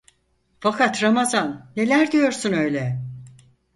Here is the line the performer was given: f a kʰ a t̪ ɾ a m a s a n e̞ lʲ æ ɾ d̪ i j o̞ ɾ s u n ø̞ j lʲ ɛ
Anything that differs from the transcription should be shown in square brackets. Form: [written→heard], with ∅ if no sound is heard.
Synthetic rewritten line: f a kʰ a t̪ ɾ a m a [s→z] a [n→nː] e̞ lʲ æ ɾ d̪ i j o̞ ɾ s u n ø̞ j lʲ ɛ

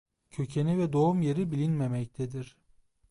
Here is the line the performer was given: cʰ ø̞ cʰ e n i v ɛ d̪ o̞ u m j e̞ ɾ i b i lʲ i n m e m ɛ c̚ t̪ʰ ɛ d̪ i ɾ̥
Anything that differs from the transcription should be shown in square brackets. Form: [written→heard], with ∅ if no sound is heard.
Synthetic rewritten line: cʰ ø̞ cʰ e n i v ɛ d̪ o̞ u m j e̞ ɾ i b i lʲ i n m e m ɛ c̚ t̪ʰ ɛ d̪ i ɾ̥

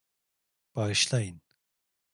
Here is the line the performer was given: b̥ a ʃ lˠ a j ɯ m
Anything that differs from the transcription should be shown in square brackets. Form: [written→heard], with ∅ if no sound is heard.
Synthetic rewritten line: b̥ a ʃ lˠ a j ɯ [m→n]

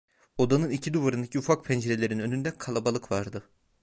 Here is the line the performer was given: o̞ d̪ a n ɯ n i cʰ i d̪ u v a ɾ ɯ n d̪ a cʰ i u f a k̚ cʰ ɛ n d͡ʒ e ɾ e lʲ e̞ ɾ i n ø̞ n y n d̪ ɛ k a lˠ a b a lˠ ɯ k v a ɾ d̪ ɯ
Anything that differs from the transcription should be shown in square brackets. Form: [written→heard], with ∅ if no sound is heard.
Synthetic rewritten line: o̞ d̪ a n ɯ n i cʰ i d̪ u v a ɾ ɯ n d̪ a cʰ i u f a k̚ [cʰ→pʰ] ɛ n d͡ʒ e ɾ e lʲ e̞ ɾ i n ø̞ n y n d̪ ɛ [k→kʰ] a lˠ a b a lˠ ɯ k v a ɾ d̪ ɯ

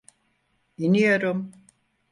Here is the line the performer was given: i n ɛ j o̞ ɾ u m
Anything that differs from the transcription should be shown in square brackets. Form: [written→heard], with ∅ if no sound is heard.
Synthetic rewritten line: i n [ɛ→i] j o̞ ɾ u m

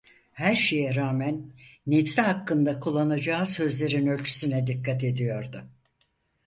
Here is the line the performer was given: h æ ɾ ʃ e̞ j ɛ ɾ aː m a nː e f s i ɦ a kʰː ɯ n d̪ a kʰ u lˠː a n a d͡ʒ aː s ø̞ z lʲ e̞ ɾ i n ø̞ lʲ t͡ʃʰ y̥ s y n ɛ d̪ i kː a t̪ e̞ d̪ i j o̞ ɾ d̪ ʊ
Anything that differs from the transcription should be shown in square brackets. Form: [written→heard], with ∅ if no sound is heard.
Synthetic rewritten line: h æ ɾ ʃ e̞ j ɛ ɾ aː m [a→æ] nː e f s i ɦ a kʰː ɯ n d̪ a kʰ u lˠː a n a d͡ʒ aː s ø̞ z lʲ e̞ ɾ i n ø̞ lʲ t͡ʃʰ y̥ s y n ɛ d̪ i kː a t̪ e̞ d̪ i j o̞ ɾ d̪ ʊ

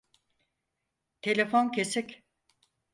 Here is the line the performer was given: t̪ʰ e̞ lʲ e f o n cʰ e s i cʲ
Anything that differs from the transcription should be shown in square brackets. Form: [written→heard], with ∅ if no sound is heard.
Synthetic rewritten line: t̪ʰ e̞ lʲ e f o n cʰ e s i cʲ

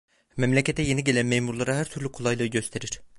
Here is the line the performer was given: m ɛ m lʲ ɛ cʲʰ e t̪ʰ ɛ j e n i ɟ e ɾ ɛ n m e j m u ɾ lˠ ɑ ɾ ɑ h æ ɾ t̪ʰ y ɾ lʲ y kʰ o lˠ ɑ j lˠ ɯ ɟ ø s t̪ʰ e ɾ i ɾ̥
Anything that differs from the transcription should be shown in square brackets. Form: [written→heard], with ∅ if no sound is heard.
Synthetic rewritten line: m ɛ m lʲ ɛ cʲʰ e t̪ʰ ɛ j e n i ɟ e [ɾ→l] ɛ n m e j m u ɾ lˠ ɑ ɾ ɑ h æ ɾ t̪ʰ y ɾ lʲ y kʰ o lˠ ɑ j lˠ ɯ ɟ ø s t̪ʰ e ɾ i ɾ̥

